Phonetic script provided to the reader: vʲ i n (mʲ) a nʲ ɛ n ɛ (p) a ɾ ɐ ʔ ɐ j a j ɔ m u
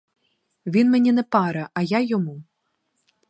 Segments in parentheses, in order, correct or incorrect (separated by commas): correct, correct